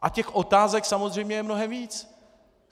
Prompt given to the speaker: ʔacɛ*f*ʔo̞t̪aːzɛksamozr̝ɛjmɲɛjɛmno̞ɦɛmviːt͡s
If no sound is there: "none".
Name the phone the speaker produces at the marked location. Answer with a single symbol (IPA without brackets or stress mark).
x